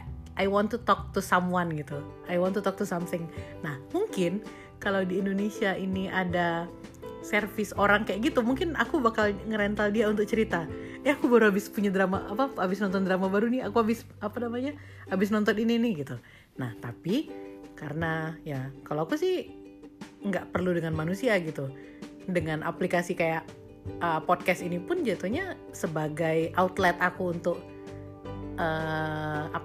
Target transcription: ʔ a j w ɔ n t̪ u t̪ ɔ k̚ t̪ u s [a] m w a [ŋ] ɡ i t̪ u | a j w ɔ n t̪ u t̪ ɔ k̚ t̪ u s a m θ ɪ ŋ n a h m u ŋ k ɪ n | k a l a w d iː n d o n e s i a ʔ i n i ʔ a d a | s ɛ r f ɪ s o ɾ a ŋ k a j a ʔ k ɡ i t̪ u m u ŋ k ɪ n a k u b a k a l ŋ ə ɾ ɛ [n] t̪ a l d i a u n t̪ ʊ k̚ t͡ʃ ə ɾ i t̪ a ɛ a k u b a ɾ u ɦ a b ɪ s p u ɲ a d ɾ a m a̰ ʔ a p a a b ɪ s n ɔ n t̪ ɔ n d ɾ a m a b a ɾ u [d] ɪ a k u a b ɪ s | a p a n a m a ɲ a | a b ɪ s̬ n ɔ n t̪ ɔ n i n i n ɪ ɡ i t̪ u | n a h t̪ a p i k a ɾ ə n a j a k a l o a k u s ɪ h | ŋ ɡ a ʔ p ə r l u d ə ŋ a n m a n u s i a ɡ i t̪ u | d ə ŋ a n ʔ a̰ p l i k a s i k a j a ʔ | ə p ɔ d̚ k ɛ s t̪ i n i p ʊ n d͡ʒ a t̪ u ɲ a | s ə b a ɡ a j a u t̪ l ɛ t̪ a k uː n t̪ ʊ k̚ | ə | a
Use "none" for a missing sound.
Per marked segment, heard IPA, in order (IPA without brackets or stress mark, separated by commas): a, n, n, n